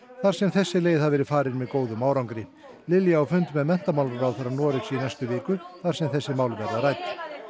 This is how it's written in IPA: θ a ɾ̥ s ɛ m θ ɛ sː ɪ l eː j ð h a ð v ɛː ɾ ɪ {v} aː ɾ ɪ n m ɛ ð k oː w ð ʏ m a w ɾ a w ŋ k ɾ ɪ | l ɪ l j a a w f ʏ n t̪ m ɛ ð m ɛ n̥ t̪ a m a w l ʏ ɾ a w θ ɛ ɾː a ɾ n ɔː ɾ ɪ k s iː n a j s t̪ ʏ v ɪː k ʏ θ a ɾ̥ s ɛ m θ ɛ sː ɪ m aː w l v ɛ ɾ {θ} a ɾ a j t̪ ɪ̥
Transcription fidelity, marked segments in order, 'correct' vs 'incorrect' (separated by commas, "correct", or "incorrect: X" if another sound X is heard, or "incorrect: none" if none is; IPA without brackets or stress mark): incorrect: f, incorrect: ð